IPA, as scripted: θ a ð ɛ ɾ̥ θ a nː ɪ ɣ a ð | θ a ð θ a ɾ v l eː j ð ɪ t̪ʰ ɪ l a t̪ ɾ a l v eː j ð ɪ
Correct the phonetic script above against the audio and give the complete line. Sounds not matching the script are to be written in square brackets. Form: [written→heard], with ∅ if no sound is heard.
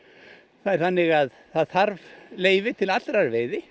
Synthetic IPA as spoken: θ a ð ɛ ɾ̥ θ a nː ɪ ɣ a ð | θ a ð θ a ɾ v l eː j [ð→v] ɪ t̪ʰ ɪ l a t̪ ɾ a [l→ɾ] v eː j ð ɪ